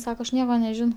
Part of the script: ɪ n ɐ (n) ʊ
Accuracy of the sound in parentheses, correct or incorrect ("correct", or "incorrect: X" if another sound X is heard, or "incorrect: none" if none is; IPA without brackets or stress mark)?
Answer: incorrect: none